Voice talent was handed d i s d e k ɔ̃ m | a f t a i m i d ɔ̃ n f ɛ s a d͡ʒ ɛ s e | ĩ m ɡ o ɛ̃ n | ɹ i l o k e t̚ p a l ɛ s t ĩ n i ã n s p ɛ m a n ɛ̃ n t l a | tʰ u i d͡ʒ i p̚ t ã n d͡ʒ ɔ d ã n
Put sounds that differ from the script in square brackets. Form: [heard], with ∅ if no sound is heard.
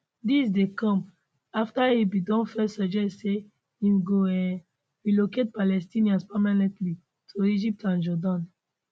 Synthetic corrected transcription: d i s d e k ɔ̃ m | a f t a i [b] i d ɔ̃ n f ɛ s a d͡ʒ ɛ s e | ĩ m ɡ o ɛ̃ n | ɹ i l o k e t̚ p a l ɛ s t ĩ n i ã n s p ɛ m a n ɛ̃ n t l [i] | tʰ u i d͡ʒ i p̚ t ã n d͡ʒ ɔ d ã n